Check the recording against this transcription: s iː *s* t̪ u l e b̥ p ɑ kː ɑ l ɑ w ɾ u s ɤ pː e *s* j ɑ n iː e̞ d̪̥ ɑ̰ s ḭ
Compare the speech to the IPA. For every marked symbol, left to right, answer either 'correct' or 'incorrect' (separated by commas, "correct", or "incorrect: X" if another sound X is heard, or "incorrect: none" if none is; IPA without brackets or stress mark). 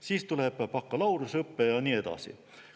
correct, incorrect: none